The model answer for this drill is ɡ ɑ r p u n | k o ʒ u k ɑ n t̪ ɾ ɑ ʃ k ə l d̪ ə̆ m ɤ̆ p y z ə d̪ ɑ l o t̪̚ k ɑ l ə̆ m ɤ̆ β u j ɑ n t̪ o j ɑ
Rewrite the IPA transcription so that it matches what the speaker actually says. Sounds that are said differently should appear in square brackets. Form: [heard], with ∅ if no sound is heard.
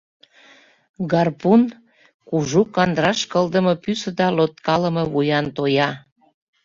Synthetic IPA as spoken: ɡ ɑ r p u n | k [u] ʒ u k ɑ n [d̪] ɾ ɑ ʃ k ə l d̪ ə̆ m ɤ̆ p y [s] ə d̪ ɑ l o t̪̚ k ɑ l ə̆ m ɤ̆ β u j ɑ n t̪ o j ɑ